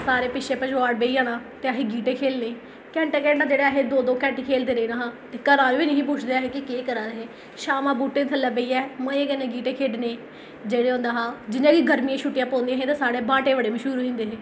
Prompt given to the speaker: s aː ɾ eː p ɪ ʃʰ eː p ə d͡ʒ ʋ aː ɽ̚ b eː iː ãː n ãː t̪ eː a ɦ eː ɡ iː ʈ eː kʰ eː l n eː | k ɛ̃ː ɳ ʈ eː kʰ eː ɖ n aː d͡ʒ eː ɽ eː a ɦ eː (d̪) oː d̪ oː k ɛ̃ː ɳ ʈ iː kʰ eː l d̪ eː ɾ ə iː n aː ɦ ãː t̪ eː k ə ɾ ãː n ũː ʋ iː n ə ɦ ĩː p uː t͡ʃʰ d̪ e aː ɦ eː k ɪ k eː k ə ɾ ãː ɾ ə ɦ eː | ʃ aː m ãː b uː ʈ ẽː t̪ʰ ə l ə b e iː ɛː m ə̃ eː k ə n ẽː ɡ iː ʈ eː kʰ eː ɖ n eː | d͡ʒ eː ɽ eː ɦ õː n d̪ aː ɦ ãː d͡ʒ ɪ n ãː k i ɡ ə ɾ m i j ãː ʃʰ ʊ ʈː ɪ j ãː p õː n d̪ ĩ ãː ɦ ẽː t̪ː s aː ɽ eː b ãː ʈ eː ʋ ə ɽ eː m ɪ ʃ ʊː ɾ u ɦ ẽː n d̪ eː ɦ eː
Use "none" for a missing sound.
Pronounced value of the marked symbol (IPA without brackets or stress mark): d̪